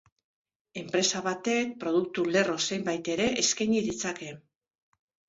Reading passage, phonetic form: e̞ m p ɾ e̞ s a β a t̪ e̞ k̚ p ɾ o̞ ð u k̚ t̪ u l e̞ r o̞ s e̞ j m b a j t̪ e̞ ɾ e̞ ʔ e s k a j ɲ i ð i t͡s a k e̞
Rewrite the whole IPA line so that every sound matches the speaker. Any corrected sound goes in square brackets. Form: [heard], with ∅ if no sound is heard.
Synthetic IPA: e̞ m p ɾ e̞ s a β a t̪ e̞ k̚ p ɾ o̞ ð u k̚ t̪ u l e̞ r o̞ s e̞ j m b a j t̪ e̞ ɾ e̞ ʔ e s k a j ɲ i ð i t͡s a k e̞